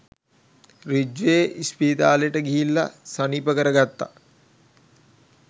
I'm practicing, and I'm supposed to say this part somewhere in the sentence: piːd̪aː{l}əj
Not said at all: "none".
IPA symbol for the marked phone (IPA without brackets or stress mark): l